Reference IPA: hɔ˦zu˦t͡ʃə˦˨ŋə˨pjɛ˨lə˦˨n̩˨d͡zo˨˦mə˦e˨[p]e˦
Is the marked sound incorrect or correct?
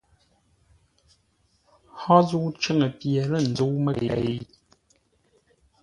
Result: incorrect